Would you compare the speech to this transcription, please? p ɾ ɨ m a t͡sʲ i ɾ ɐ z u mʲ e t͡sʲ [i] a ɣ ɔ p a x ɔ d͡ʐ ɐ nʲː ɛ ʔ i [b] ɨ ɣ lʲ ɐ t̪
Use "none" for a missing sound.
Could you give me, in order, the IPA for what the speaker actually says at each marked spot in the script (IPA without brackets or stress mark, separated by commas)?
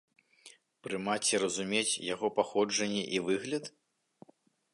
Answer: j, v